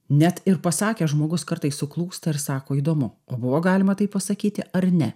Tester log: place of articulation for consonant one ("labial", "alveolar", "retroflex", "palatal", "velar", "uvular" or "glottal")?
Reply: alveolar